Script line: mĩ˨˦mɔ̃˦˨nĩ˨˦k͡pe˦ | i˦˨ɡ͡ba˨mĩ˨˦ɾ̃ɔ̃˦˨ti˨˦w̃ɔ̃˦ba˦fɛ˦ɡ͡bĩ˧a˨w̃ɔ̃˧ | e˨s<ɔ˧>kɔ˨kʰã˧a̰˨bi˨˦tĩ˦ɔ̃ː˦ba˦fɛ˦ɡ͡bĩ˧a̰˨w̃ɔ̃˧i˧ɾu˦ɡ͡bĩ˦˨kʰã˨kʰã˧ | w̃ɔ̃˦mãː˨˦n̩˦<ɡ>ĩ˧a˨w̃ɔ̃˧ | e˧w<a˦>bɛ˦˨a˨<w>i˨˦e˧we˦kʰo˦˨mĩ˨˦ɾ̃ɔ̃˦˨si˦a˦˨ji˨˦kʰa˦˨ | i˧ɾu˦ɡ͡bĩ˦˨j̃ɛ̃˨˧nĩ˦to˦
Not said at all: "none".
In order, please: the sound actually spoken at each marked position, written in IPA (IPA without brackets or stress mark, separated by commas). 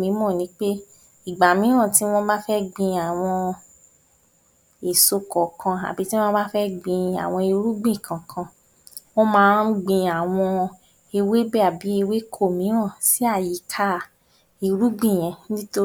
o˧, ɡ͡b, e˦, b